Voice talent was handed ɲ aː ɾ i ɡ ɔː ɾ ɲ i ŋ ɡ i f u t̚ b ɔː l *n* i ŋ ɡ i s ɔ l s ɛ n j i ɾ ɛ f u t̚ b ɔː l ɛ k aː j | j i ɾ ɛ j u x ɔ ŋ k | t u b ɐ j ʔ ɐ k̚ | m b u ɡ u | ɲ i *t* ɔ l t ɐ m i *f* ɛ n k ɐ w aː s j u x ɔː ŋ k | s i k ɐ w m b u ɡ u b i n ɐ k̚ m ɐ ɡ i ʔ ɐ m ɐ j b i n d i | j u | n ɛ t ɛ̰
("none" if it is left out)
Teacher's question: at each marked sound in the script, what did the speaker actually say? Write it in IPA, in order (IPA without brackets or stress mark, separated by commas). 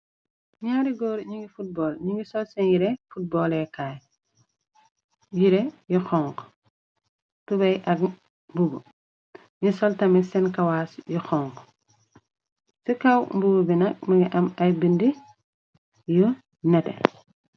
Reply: ɲ, s, s